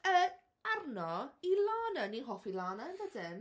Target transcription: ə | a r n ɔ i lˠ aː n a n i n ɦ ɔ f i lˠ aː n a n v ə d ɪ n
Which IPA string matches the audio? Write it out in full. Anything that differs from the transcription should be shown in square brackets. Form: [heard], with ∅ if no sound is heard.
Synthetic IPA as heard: ə | a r n ɔ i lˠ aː n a n i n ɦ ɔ f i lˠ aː n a n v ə d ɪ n